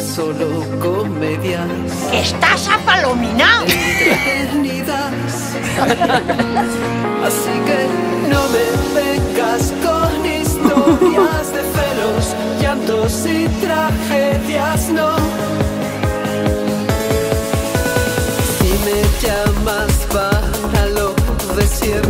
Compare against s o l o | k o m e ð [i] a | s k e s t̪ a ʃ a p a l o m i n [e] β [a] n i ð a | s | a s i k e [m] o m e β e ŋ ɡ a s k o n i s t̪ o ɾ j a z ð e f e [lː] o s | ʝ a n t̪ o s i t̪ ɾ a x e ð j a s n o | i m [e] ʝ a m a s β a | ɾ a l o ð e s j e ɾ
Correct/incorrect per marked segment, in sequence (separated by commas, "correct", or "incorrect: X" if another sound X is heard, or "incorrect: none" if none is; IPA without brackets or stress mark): incorrect: j, incorrect: a, incorrect: e, incorrect: n, incorrect: l, correct